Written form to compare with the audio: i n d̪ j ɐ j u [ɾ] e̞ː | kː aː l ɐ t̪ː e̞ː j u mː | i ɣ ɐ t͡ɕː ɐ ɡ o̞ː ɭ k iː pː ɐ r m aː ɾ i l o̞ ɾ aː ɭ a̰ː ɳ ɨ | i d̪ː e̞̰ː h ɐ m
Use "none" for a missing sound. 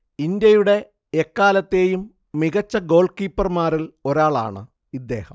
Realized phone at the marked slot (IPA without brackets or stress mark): ɽ